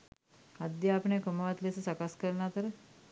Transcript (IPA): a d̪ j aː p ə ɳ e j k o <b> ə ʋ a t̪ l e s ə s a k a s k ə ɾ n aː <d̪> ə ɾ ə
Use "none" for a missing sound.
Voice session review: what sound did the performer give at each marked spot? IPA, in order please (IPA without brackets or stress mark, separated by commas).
m, t̪